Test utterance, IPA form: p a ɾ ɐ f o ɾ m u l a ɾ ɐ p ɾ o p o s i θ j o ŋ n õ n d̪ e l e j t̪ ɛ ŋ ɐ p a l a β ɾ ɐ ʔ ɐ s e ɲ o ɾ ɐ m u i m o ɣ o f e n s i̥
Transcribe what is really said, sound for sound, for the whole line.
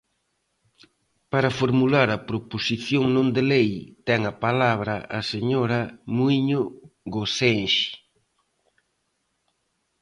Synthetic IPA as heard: p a ɾ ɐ f o ɾ m u l a ɾ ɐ p ɾ o p o s i θ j o ŋ n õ n d̪ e l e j t̪ ɛ ŋ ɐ p a l a β ɾ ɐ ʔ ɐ s e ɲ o ɾ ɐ m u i ɲ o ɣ o s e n ʃ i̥